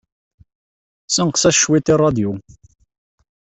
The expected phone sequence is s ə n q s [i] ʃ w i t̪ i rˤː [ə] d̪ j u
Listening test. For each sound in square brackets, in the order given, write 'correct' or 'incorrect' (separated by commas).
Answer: incorrect, incorrect